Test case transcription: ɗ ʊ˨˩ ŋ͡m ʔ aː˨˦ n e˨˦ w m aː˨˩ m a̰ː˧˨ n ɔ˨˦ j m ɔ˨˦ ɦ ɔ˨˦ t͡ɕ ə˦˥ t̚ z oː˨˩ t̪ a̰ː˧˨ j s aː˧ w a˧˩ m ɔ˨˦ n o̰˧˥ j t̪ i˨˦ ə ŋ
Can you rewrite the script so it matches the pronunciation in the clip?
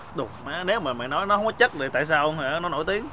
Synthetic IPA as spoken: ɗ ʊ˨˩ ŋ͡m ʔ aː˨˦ n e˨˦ w m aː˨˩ m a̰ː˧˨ n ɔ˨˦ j n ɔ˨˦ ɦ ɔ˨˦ t͡ɕ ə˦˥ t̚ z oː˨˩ t̪ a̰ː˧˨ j s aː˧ w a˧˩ n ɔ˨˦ n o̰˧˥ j t̪ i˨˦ ə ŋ